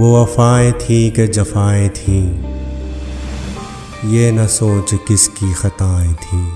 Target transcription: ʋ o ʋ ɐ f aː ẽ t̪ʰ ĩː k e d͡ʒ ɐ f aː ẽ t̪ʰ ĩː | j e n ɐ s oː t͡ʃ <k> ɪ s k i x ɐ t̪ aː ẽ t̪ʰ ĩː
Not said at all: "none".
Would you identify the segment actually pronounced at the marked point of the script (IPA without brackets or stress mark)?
k